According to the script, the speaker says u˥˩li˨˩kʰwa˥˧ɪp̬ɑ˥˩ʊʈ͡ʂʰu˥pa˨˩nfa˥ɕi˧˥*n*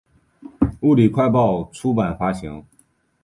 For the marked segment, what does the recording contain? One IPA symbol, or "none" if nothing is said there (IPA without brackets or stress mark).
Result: ŋ